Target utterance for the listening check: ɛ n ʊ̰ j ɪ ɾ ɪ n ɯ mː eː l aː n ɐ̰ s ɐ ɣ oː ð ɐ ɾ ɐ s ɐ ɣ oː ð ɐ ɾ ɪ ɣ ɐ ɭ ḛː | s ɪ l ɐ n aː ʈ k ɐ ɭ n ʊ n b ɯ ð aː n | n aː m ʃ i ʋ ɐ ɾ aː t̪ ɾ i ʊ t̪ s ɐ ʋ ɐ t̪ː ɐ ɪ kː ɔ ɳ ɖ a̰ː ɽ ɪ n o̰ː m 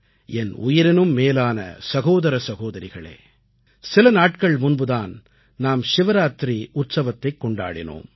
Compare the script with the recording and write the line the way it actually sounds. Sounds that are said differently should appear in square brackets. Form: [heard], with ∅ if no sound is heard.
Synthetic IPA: ɛ n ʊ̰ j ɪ ɾ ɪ n ɯ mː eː l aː n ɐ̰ s ɐ ɣ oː ð ɐ ɾ ɐ s ɐ ɣ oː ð ɐ ɾ ɪ ɣ ɐ ɭ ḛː | s ɪ l ɐ n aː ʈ k ɐ ɭ [m] ʊ n b ɯ ð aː n | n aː m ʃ [ɪ] ʋ ɐ ɾ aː t̪ ɾ i ʊ t̪ s ɐ ʋ ɐ t̪ː ɐ ɪ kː ɔ ɳ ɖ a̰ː ɽ ɪ n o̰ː m